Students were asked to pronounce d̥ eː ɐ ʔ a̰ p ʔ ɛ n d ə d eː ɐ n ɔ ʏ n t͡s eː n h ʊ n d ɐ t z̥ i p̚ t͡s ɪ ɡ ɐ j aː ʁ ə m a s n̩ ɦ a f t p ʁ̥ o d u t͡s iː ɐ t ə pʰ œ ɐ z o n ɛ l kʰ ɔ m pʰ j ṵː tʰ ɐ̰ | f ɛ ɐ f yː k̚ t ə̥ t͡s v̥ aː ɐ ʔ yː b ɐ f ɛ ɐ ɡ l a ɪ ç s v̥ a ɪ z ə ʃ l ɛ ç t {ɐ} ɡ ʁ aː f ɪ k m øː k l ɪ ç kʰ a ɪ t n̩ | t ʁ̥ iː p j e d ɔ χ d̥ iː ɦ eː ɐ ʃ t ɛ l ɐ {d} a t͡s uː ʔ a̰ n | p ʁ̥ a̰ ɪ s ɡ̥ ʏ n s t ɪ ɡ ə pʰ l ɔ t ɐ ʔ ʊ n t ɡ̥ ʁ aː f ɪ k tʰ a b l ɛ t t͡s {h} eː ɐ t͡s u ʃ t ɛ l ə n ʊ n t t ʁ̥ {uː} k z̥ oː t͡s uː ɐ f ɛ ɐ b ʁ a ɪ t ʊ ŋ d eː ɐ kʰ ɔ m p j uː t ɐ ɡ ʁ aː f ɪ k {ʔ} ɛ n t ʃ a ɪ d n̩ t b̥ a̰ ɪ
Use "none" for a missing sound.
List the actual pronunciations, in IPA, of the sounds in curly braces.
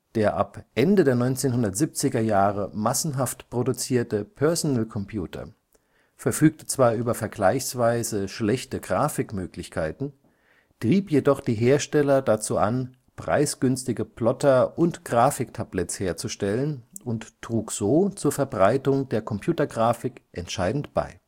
ə, d, h, uː, ʔ

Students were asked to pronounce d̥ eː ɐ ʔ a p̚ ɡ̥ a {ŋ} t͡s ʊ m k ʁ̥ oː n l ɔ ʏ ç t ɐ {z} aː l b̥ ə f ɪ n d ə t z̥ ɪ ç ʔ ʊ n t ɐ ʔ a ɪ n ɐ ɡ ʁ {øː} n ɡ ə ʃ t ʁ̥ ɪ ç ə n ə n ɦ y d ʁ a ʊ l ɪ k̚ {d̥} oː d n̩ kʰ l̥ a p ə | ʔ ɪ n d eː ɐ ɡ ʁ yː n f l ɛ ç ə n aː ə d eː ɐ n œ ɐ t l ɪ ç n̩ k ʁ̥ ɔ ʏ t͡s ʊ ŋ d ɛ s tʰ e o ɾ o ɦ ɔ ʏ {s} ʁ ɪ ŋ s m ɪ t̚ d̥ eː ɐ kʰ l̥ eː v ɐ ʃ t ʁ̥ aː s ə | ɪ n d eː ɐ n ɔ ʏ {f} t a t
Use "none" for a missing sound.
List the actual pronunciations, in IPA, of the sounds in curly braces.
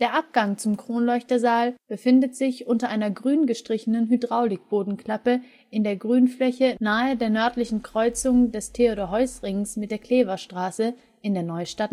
ŋ, z, yː, b̥, s, ʃ

